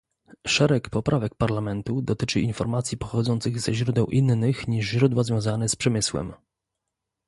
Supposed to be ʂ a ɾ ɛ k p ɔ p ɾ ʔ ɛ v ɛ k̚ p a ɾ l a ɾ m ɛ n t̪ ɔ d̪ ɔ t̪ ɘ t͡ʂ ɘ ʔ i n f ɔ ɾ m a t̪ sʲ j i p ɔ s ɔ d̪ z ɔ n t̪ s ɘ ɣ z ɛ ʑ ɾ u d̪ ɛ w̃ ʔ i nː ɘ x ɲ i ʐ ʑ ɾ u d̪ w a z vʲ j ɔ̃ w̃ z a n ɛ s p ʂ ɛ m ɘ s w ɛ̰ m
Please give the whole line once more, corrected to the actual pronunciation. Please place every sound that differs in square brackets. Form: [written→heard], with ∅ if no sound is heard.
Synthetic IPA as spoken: ʂ [a→ɛ] ɾ ɛ k p ɔ p ɾ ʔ [ɛ→a] v ɛ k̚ p a ɾ l a [ɾ→∅] m ɛ n t̪ [ɔ→u] d̪ ɔ t̪ ɘ t͡ʂ ɘ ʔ i n f ɔ ɾ m a t̪ sʲ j i p ɔ [s→x] ɔ d̪ z ɔ n t̪ s ɘ ɣ z ɛ ʑ ɾ u d̪ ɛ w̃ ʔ i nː ɘ x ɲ i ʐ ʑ ɾ u d̪ w a z vʲ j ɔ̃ w̃ z a n ɛ s p ʂ ɛ m ɘ s w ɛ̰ m